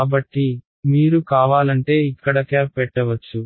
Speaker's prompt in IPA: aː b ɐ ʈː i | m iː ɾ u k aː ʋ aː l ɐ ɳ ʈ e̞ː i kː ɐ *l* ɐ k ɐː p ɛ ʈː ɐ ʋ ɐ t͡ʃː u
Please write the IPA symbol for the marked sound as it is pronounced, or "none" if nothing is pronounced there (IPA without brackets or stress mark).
ɽ